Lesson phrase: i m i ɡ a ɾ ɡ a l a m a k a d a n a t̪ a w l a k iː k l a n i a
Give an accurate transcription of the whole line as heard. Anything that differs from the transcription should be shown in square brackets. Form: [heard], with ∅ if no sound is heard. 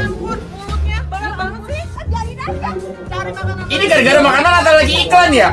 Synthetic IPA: i [n] i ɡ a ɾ ɡ a [ɾ] a m a k a [n] a n a t̪ a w l a [ɡ] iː k l a n [j] a